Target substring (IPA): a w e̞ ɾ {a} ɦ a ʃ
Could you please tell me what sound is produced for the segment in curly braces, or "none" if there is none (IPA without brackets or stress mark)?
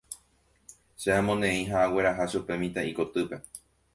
a